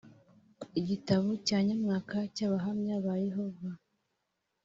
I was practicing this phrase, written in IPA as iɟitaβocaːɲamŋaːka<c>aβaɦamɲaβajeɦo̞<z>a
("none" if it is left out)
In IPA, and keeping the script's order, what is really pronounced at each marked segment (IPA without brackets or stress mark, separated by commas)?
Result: c, v